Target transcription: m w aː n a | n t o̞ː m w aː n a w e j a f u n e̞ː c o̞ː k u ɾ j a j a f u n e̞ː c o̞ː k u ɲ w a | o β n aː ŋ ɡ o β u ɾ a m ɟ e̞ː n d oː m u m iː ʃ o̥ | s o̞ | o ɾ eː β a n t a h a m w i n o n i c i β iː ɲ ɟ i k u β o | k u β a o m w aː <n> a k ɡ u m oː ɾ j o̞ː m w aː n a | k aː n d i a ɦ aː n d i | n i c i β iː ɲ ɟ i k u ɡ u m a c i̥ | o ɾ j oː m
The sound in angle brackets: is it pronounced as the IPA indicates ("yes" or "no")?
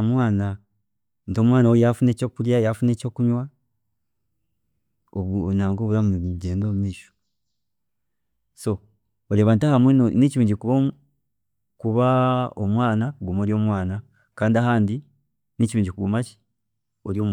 yes